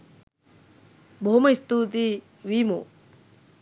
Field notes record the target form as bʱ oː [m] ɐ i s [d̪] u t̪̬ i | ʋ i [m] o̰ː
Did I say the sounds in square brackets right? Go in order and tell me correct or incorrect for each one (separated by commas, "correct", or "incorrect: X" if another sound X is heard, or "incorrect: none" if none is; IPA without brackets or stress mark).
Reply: correct, incorrect: t̪, correct